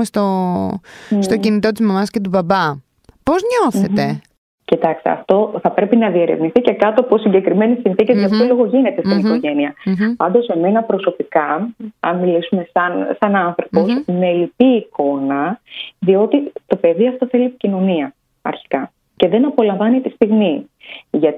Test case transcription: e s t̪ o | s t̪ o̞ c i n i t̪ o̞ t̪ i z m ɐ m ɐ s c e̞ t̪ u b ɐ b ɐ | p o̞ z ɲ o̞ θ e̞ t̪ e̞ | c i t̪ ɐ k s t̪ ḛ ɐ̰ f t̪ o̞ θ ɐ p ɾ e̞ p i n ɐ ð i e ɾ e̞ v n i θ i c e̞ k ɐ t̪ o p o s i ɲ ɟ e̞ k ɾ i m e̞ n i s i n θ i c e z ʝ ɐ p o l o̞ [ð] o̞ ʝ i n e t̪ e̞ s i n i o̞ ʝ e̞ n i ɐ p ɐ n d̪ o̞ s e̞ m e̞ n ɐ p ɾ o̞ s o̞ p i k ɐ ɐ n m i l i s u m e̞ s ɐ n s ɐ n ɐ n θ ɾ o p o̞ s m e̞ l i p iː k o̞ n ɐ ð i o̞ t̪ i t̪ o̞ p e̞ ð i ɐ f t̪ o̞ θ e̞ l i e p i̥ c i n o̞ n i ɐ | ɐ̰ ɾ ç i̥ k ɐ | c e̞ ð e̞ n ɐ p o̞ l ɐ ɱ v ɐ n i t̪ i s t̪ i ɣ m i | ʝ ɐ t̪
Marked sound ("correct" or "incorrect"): incorrect